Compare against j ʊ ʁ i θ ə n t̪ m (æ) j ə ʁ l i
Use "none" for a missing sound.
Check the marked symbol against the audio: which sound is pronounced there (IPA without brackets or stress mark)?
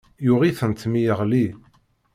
i